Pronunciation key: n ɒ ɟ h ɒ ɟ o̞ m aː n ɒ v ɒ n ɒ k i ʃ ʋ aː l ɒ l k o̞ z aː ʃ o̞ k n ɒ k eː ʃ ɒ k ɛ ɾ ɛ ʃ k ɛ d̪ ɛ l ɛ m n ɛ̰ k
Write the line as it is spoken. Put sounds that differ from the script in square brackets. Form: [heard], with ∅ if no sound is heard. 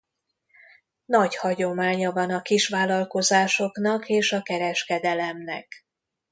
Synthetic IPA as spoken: n ɒ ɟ h ɒ ɟ o̞ m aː [ɲ] ɒ v ɒ n ɒ k i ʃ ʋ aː l ɒ l k o̞ z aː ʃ o̞ k n ɒ k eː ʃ ɒ k ɛ ɾ ɛ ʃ k ɛ d̪ ɛ l ɛ m n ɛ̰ k